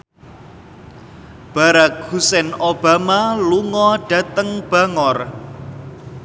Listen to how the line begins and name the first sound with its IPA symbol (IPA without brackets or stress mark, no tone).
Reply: b̥